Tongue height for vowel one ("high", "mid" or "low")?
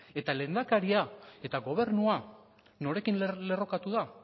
mid